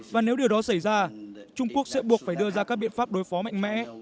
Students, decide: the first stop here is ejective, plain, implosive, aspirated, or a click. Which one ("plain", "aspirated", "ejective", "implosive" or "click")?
implosive